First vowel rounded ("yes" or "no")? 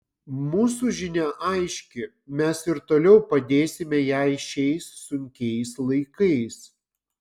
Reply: yes